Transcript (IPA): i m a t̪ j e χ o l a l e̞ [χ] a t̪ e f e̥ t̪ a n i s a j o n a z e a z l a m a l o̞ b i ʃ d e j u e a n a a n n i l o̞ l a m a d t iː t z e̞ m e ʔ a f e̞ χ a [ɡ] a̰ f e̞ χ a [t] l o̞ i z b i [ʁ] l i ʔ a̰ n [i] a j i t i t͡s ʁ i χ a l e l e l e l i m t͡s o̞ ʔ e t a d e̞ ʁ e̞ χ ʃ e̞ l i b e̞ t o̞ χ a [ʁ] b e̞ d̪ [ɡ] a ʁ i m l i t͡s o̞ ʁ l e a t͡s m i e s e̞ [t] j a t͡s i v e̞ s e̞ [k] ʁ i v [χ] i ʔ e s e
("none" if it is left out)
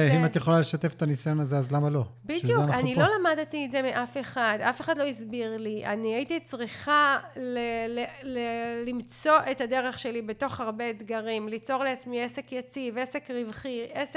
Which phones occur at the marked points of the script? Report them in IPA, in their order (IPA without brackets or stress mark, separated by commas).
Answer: ʃ, d, d, ʁ, i, ʁ, ɡ, k, k, χ